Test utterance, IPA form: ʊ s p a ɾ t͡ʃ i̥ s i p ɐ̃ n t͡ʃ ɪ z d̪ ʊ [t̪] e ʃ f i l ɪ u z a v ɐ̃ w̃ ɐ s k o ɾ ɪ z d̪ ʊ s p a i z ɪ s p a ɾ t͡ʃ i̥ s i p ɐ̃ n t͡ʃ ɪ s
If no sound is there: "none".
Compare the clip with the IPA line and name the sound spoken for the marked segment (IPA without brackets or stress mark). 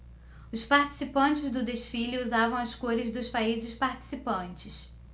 d̪